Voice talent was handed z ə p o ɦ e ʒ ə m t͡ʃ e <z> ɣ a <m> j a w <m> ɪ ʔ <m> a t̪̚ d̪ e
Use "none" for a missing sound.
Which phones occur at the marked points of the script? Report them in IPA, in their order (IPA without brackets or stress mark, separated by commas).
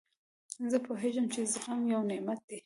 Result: z, m, n, m